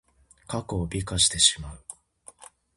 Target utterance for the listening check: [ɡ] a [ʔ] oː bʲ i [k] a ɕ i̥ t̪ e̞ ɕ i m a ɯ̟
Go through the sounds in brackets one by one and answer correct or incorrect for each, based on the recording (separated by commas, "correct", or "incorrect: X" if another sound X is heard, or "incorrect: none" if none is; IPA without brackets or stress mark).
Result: incorrect: k, incorrect: k, correct